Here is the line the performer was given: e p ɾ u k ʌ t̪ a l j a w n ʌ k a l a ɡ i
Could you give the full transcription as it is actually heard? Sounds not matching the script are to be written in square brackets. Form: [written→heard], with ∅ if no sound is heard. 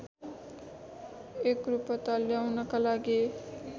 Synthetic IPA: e [p→k] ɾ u [k→p] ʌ t̪ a l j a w n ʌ k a l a ɡ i